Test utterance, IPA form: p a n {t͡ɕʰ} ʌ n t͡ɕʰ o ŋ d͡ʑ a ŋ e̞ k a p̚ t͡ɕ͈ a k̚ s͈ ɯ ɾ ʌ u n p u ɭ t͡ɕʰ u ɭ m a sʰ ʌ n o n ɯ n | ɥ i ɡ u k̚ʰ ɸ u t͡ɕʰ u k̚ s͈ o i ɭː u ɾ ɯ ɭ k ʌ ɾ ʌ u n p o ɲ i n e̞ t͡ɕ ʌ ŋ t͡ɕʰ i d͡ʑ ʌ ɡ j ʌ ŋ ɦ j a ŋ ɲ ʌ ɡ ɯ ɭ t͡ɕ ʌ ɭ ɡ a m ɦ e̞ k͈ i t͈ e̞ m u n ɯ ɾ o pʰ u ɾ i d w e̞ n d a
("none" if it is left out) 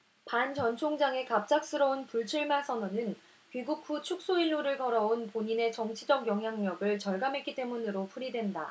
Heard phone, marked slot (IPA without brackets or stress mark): t͡ɕ